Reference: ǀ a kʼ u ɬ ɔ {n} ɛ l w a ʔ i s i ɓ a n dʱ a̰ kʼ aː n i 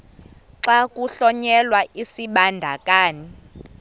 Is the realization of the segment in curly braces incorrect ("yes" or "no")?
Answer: yes